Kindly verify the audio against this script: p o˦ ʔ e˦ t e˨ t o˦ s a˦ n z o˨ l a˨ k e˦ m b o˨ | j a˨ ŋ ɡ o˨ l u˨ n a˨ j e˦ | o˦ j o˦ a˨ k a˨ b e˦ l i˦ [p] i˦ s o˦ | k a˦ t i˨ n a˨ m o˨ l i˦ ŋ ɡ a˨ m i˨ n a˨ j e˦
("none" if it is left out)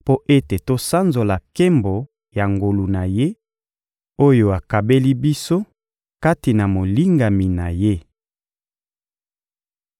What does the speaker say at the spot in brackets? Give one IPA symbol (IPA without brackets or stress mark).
b